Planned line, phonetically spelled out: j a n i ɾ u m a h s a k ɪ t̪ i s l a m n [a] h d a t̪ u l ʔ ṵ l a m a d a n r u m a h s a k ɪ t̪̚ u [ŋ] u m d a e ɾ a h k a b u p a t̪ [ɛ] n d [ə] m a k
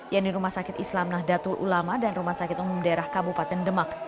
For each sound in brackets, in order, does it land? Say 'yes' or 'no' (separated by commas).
yes, no, yes, yes